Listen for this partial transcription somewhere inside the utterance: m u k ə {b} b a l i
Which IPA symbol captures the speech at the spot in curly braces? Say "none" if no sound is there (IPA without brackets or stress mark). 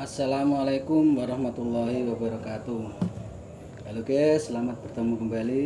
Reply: m